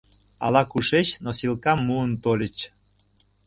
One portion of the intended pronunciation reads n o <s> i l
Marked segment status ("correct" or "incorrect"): correct